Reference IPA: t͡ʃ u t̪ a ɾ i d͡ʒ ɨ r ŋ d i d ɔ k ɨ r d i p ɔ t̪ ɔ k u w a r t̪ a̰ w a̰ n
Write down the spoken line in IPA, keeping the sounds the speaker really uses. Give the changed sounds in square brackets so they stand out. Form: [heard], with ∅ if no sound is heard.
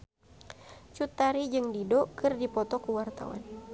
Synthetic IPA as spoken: t͡ʃ u t̪ a ɾ i d͡ʒ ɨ [∅] ŋ d i d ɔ k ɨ r d i p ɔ t̪ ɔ k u w a r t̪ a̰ w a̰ n